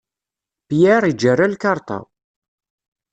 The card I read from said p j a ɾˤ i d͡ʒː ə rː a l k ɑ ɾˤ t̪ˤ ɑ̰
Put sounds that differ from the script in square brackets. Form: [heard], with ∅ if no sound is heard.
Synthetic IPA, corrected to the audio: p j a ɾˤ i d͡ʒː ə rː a l k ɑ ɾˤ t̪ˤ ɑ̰